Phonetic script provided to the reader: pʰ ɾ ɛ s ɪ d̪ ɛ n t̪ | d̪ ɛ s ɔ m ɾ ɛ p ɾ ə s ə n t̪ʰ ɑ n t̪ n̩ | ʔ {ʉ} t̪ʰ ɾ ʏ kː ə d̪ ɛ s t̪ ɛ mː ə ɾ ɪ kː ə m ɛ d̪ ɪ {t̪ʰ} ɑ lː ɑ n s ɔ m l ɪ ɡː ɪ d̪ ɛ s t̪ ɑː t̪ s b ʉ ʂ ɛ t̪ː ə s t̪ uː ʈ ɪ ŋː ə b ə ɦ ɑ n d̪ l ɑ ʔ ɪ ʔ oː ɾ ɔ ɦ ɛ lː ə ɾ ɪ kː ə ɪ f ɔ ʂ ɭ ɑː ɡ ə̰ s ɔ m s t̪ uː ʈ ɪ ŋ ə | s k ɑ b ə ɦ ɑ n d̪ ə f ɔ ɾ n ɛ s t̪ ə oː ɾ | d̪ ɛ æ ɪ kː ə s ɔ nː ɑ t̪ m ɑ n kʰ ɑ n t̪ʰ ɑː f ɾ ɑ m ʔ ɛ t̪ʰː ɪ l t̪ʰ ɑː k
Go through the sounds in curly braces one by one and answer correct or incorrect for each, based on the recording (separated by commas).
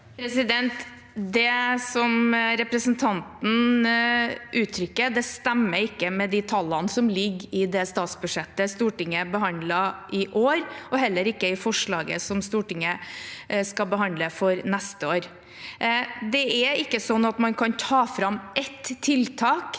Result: incorrect, correct